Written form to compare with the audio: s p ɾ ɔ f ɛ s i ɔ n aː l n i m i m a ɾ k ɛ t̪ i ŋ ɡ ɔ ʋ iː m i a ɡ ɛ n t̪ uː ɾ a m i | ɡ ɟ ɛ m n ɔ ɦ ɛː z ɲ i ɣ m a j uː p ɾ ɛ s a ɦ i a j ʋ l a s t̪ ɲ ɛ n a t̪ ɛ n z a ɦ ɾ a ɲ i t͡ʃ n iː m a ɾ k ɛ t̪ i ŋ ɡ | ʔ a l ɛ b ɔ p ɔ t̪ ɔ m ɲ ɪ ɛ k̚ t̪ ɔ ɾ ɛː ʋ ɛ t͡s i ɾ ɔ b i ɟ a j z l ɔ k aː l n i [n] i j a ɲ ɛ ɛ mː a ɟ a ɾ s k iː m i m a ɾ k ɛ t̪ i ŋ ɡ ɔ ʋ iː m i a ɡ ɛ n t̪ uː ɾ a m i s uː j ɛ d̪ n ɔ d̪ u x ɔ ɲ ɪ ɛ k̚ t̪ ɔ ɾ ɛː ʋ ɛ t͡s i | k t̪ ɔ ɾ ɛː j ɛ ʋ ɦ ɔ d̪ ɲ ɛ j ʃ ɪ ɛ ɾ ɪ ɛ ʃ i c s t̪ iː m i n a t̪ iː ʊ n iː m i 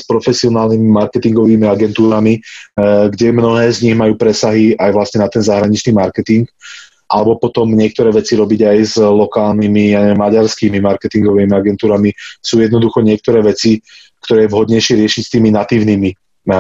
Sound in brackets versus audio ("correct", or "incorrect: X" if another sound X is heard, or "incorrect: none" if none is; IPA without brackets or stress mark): incorrect: m